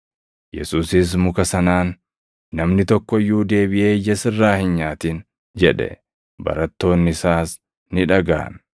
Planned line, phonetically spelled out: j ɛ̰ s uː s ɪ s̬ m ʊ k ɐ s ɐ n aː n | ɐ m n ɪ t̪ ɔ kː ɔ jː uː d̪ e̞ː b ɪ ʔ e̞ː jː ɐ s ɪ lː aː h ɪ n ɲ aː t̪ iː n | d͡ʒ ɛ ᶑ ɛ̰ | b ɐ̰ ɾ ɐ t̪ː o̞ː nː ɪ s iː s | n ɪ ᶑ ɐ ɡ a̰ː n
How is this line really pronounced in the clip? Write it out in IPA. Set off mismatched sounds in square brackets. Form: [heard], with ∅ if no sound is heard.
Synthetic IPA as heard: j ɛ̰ s uː s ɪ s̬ m ʊ k ɐ s ɐ n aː [nː] | ɐ m n ɪ t̪ ɔ kː ɔ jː uː d̪ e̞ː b ɪ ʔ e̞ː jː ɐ s ɪ [rː] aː h ɪ n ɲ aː t̪ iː n | d͡ʒ ɛ ᶑ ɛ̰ | b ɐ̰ ɾ ɐ t̪ː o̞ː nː ɪ s [aː] s | n ɪ ᶑ ɐ ɡ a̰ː n